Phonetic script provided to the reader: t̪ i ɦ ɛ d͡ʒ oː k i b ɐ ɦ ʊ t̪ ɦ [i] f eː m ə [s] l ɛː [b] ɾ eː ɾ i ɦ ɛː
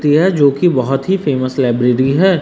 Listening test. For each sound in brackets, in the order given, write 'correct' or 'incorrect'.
correct, correct, correct

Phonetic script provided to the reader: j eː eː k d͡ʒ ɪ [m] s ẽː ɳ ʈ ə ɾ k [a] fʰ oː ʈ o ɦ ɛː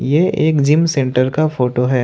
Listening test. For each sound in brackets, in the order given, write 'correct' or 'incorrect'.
correct, correct

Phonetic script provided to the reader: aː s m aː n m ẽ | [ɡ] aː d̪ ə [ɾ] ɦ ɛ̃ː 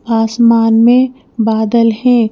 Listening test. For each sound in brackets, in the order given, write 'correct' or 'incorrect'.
incorrect, incorrect

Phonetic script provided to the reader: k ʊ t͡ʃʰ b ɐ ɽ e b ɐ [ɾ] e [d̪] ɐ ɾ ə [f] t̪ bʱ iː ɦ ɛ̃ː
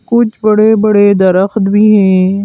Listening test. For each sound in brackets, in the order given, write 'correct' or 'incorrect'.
incorrect, correct, incorrect

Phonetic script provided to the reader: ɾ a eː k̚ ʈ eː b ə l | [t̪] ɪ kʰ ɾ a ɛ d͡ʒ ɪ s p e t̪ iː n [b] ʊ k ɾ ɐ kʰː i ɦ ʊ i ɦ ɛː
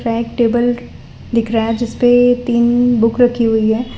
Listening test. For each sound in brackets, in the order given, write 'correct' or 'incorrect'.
incorrect, correct

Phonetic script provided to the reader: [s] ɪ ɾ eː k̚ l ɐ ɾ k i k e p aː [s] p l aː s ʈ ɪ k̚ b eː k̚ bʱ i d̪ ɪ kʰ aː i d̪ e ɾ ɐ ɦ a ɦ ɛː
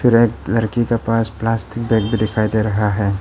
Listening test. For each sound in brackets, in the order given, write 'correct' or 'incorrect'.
incorrect, correct

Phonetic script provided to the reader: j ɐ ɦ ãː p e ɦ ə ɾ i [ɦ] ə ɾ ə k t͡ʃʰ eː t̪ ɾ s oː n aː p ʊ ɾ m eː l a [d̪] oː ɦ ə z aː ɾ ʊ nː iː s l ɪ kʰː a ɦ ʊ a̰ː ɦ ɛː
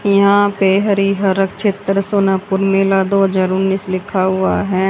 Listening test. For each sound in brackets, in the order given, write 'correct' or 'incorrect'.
correct, correct

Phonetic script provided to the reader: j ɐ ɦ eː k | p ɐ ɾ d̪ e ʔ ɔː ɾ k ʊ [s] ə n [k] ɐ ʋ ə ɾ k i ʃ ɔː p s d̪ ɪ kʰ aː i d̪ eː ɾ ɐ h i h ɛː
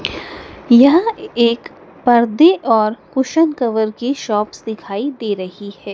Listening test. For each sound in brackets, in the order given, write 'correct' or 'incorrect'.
incorrect, correct

